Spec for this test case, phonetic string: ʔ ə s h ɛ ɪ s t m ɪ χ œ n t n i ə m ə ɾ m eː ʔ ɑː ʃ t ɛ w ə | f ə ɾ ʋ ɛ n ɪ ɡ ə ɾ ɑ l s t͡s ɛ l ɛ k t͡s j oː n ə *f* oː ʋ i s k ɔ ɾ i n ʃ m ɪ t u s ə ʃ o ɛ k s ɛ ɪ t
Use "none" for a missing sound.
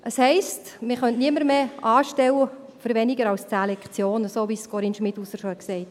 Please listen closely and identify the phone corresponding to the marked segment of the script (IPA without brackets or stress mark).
s